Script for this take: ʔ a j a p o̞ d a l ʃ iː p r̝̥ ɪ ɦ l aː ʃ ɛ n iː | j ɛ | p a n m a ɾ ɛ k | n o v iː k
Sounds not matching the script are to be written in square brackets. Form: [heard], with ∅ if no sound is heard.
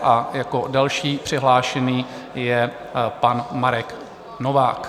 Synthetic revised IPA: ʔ a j a [k] o̞ d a l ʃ iː p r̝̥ ɪ ɦ l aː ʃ ɛ n iː | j ɛ | p a n m a ɾ ɛ k | n o v [aː] k